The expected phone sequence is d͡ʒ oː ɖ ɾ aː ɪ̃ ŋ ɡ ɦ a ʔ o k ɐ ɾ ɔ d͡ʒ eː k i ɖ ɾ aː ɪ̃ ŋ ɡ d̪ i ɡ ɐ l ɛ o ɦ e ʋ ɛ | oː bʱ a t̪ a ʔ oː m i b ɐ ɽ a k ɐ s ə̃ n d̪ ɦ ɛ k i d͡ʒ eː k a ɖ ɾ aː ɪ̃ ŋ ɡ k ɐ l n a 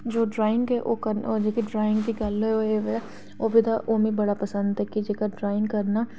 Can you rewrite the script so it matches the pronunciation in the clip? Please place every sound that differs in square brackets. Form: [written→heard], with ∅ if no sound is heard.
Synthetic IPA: d͡ʒ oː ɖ ɾ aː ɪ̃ ŋ ɡ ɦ [a→ɛ] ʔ o k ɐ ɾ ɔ d͡ʒ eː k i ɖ ɾ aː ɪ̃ ŋ ɡ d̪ i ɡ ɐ l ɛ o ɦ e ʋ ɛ | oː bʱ [a→i] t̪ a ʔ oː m i b ɐ ɽ a [k→p] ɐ s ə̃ n d̪ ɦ ɛ k i d͡ʒ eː k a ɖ ɾ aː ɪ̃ ŋ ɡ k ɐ [l→ɾ] n a